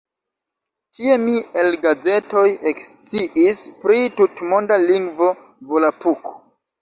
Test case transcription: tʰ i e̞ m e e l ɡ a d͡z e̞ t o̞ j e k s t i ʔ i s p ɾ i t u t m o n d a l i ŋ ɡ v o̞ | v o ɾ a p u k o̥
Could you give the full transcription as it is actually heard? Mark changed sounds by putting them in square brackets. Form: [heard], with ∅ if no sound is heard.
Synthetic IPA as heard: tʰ i e̞ m [i] e l ɡ a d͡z e̞ t o̞ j e k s [t͡s] i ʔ i s p ɾ i t u t m o n d a l i ŋ ɡ v o̞ | v o [l] a p u k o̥